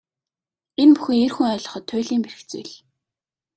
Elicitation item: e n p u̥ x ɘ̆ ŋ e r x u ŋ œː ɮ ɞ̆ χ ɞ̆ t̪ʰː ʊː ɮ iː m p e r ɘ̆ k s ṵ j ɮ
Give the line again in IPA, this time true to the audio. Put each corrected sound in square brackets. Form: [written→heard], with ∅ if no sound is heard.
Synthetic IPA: e n p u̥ x ɘ̆ ŋ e r x u ŋ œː ɮ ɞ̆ χ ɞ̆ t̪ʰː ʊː ɮ iː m p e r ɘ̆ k [s→t͡s] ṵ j ɮ